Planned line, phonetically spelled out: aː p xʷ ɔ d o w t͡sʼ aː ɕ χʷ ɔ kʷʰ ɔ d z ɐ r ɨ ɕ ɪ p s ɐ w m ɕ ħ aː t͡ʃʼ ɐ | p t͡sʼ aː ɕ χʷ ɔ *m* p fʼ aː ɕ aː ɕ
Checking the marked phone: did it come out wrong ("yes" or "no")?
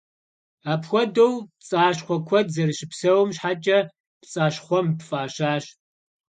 no